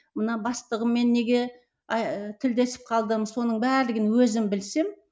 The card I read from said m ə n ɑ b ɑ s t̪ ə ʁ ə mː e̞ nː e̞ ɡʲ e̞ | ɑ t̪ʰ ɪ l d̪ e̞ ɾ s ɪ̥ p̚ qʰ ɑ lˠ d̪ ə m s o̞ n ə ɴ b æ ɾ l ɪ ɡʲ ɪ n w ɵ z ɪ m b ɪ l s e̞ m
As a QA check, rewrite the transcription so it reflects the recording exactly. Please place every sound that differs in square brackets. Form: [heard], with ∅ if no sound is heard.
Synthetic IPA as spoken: m ə n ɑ b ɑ s t̪ ə ʁ ə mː e̞ nː e̞ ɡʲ e̞ | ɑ t̪ʰ ɪ l d̪ e̞ [∅] s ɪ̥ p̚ qʰ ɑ lˠ d̪ ə m s o̞ n ə ɴ b æ ɾ l ɪ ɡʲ ɪ n w ɵ z ɪ m b ɪ l s e̞ m